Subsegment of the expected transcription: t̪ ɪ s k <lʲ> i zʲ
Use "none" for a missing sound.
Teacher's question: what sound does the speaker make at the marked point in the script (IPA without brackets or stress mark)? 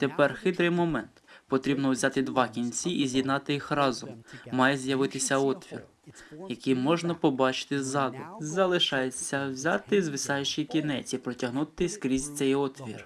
ɾʲ